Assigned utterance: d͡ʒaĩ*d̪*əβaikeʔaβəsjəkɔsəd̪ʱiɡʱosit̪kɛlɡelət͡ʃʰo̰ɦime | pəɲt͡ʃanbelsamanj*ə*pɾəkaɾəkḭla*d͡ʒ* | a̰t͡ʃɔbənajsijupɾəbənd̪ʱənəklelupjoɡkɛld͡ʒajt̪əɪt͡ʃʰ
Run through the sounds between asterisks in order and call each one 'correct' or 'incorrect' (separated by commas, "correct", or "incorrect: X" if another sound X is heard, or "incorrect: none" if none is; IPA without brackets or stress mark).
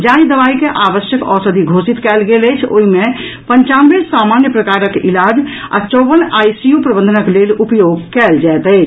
correct, correct, correct